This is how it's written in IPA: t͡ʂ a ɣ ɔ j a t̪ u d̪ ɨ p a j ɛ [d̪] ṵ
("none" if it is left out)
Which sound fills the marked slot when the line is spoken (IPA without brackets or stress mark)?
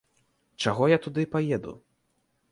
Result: d̪